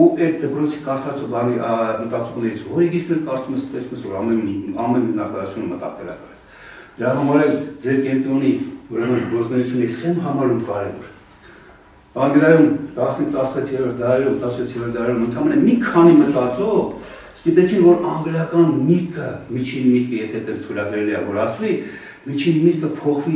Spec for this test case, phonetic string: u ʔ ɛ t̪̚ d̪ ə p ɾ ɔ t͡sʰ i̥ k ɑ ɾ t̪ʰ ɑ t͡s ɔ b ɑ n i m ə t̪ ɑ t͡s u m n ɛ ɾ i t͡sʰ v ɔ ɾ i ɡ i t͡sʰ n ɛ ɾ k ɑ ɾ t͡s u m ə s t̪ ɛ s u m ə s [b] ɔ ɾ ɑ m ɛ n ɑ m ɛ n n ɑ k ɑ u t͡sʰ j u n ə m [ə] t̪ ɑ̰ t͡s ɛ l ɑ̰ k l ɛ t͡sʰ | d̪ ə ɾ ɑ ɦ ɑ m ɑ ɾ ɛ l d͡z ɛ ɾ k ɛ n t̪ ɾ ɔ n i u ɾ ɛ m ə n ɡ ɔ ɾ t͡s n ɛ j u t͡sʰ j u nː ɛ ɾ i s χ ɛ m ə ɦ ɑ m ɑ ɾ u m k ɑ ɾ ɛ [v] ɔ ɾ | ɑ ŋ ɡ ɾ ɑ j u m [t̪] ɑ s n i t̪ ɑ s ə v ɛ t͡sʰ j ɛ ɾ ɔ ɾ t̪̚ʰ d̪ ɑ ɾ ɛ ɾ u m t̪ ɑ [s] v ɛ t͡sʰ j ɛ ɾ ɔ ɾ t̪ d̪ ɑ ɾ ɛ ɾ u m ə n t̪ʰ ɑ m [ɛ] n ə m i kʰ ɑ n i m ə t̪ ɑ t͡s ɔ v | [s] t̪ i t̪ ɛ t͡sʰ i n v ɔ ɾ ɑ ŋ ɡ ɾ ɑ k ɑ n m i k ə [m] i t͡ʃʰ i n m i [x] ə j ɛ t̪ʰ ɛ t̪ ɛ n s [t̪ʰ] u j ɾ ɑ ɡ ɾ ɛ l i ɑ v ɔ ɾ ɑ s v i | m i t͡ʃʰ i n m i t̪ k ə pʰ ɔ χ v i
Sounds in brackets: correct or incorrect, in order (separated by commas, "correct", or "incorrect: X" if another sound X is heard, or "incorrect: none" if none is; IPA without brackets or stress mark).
incorrect: v, correct, correct, correct, correct, correct, correct, correct, incorrect: k, correct